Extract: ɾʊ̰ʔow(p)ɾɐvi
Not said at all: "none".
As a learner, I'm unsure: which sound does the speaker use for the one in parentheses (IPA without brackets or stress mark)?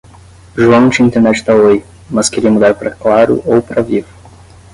p